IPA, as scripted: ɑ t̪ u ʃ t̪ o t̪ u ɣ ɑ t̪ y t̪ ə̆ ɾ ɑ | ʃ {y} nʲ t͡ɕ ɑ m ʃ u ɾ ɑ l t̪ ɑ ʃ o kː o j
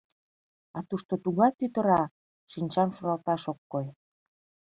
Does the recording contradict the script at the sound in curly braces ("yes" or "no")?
yes